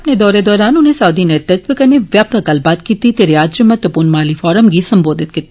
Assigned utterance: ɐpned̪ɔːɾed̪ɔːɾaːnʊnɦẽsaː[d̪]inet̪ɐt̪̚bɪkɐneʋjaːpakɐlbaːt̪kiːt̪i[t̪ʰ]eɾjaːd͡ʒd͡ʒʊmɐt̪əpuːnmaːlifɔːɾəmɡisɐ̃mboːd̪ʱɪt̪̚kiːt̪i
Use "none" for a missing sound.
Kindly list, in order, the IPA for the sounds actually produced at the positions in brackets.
d̪, t̪

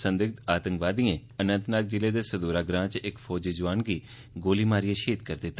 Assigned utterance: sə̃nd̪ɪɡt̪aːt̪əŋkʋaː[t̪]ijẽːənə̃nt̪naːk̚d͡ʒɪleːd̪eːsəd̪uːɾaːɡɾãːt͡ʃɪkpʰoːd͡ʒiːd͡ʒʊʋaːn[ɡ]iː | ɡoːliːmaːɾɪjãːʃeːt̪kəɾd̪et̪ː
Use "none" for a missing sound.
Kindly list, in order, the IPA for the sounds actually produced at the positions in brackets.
d̪, ɡ

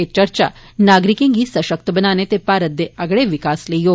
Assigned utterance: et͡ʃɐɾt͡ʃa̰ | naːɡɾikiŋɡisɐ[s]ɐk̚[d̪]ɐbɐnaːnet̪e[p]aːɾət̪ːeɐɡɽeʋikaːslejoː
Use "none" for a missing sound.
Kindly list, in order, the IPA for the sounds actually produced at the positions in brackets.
ʃ, t̪, p

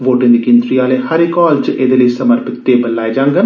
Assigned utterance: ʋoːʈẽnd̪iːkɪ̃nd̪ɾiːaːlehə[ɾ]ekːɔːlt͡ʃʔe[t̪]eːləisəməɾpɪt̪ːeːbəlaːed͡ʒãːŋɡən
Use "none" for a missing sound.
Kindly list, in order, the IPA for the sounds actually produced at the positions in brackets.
ɾ, d̪

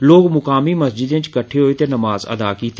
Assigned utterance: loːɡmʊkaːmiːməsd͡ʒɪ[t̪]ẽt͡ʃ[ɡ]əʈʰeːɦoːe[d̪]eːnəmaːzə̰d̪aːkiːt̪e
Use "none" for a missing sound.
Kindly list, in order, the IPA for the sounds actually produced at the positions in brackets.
d̪, k, t̪

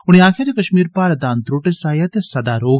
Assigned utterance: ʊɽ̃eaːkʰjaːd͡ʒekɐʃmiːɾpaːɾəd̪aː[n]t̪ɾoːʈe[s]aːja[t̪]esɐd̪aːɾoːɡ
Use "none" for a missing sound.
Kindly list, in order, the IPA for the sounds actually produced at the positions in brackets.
n, s, t̪

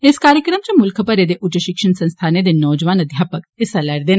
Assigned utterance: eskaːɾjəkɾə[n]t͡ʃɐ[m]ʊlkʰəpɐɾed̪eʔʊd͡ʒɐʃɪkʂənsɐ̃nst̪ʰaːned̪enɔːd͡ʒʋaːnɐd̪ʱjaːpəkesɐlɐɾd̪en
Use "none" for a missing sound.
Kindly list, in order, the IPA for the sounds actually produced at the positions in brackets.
m, m

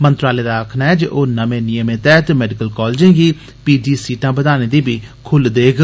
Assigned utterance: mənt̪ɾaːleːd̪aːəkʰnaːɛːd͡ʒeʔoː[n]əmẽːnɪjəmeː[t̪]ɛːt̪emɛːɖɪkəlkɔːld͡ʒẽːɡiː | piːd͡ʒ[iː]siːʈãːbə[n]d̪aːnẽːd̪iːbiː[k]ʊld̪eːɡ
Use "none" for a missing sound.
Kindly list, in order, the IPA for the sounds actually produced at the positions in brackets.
n, t̪, iː, none, kʰ

